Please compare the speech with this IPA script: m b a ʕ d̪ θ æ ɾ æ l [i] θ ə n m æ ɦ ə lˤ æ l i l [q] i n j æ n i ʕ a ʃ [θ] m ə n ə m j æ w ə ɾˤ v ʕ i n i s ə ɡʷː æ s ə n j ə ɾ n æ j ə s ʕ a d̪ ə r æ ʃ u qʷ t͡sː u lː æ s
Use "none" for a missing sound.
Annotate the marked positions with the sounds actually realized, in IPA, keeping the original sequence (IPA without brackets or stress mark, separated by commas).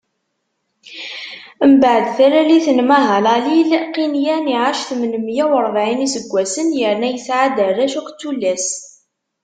i, q, θ